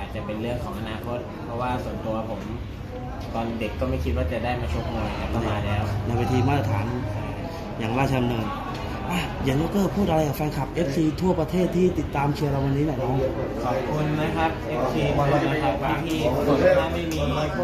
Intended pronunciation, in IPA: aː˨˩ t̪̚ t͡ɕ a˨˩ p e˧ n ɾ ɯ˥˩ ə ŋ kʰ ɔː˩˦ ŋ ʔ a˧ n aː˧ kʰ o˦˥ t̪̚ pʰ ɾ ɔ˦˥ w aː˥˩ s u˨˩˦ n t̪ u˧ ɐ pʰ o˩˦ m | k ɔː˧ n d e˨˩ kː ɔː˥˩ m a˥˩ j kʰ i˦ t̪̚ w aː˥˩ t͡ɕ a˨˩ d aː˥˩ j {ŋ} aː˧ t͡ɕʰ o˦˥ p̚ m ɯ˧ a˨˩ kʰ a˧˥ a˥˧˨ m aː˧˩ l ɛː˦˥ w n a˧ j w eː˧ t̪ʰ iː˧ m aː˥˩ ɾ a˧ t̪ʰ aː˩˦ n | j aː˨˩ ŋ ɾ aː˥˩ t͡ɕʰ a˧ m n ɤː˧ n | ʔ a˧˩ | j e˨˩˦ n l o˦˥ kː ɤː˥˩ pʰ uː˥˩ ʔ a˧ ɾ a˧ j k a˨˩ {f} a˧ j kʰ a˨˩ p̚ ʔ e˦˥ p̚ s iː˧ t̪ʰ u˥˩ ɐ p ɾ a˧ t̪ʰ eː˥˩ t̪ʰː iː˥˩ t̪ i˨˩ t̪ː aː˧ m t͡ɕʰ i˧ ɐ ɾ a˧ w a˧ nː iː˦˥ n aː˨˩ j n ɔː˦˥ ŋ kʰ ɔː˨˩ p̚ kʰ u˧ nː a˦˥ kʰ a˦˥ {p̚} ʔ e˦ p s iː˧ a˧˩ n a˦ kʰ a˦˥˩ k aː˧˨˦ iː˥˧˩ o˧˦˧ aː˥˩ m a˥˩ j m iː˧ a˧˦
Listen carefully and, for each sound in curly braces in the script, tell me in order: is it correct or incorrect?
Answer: incorrect: m, correct, correct

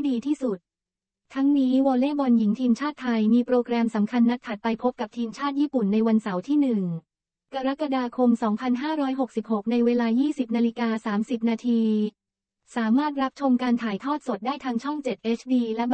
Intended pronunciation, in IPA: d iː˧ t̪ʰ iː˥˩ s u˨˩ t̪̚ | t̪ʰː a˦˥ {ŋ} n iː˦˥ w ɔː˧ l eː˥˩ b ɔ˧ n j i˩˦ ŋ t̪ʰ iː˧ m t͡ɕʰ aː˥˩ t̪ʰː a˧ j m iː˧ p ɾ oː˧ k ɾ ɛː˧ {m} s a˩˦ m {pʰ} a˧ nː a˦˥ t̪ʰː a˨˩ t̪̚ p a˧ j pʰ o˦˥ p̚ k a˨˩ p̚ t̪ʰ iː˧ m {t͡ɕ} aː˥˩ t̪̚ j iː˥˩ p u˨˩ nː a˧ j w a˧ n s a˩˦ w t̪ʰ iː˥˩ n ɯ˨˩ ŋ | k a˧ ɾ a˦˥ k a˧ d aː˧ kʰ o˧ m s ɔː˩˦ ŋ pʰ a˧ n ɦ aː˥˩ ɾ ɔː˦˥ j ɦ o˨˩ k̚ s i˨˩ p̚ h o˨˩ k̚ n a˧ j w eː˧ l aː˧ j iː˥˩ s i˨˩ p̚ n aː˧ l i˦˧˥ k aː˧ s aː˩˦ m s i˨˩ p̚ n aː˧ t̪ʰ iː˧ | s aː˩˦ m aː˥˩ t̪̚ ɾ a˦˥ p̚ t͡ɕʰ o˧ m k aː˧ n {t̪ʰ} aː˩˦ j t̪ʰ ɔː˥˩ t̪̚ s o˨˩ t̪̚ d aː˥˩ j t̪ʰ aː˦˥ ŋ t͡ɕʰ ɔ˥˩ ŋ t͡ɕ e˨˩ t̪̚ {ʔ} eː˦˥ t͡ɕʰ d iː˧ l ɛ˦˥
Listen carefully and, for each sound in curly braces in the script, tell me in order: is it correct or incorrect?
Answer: correct, correct, incorrect: kʰ, incorrect: t͡ɕʰ, correct, correct

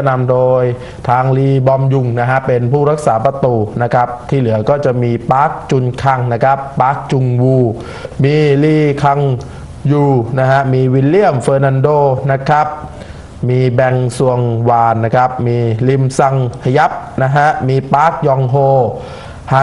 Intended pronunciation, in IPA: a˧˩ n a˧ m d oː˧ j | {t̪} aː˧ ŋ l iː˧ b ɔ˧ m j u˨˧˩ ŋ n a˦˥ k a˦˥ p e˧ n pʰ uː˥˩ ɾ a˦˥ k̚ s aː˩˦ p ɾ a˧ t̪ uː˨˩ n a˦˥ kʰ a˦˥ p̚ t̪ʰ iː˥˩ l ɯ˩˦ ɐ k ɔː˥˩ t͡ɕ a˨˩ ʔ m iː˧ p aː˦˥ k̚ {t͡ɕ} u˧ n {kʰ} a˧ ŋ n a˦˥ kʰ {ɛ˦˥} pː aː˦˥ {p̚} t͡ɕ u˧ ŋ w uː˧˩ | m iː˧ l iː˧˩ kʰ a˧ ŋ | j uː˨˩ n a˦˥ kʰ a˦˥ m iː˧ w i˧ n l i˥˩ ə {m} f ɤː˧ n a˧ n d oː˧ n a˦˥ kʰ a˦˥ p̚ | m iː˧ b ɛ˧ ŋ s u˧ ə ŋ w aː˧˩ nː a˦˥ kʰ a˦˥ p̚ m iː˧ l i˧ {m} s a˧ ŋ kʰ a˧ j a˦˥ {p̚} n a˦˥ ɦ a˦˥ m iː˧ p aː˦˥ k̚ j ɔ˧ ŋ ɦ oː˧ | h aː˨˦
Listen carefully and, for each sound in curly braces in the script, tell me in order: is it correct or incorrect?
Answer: incorrect: t̪ʰ, correct, correct, incorrect: a˦˥, incorrect: k̚, correct, correct, correct

